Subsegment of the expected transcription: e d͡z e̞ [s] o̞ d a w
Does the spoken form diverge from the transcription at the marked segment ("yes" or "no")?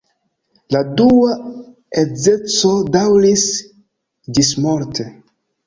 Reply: yes